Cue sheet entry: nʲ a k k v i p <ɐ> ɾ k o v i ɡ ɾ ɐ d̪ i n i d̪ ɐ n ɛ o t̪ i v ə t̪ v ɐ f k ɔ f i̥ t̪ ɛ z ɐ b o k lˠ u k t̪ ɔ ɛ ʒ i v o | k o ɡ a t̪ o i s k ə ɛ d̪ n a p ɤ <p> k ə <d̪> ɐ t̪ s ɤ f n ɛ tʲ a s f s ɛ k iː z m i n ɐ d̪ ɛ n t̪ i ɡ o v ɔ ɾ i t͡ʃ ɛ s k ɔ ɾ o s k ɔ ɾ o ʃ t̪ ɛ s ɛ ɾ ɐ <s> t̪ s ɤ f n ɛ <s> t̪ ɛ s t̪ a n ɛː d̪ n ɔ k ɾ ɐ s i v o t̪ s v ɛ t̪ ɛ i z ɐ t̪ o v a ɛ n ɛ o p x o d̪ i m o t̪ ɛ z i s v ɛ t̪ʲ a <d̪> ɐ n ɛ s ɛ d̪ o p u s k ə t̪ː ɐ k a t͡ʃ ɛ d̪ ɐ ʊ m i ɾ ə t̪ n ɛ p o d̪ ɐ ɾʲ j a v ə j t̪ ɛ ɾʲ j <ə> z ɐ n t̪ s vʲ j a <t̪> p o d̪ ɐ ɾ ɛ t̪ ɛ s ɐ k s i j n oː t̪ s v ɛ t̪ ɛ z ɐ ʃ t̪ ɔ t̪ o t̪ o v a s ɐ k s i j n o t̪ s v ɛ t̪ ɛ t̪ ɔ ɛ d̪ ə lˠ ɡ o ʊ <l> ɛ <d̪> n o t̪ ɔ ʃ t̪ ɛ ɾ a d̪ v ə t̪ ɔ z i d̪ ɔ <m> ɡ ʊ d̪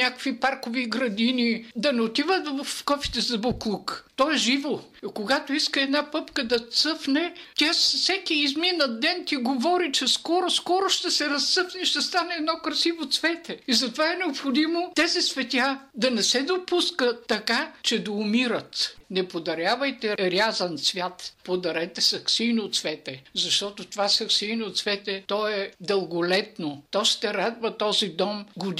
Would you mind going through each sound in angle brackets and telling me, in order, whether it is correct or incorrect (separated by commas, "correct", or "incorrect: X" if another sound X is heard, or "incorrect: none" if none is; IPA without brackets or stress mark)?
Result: incorrect: a, correct, correct, correct, incorrect: ʃ, correct, incorrect: a, correct, correct, incorrect: t̪, correct